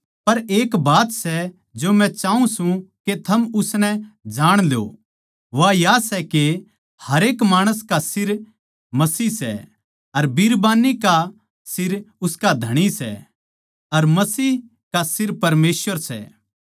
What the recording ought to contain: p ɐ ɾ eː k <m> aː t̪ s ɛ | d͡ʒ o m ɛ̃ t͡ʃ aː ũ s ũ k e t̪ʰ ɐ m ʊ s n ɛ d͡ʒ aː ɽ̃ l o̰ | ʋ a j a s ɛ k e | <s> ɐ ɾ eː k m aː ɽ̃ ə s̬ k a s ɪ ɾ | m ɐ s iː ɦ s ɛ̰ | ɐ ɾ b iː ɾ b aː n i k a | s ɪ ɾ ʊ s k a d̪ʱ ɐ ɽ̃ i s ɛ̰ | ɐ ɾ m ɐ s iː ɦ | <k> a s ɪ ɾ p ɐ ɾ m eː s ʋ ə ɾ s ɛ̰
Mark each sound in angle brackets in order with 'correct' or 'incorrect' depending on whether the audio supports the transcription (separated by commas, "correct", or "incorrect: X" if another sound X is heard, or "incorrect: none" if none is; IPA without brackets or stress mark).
incorrect: b, incorrect: h, correct